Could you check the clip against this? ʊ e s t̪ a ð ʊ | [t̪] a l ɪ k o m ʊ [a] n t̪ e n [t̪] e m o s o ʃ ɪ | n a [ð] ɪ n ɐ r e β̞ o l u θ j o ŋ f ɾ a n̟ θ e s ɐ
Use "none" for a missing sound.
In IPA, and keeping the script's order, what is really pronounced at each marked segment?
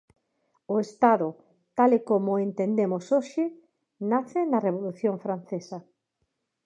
t̪, e, d̪, θ

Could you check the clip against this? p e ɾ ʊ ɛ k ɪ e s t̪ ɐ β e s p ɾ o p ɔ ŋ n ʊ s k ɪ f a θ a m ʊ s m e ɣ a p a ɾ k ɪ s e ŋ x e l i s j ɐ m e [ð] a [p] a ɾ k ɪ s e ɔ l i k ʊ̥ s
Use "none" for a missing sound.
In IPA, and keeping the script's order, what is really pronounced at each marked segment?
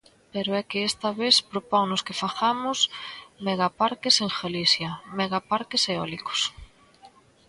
ɣ, p

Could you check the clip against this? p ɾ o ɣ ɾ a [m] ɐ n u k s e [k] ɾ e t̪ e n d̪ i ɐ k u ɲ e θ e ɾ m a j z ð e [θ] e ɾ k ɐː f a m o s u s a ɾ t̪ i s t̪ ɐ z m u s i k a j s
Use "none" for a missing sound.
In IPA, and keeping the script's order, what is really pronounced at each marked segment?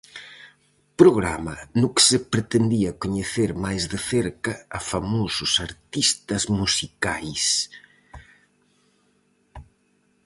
m, p, θ

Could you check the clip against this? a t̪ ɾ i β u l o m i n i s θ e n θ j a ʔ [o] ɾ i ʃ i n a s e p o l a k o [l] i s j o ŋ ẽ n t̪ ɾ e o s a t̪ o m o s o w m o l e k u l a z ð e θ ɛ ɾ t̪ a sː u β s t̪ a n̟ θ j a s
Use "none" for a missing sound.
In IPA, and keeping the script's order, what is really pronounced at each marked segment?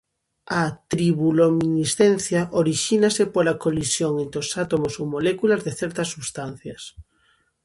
o, l

